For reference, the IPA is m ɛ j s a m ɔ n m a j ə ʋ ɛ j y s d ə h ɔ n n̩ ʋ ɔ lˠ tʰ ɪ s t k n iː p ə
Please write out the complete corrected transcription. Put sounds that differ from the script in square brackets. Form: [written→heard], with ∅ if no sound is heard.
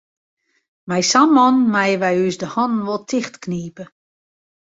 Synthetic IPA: m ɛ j s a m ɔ n m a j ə ʋ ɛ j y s d ə h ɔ n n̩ ʋ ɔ lˠ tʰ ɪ [s→x] t k n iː p ə